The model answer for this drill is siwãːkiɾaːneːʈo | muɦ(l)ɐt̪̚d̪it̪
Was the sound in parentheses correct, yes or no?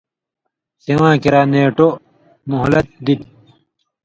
yes